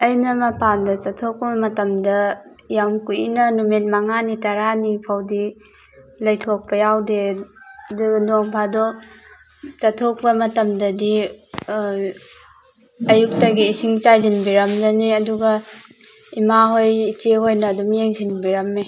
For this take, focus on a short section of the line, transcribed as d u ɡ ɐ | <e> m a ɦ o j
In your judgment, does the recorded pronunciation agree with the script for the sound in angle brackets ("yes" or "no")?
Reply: no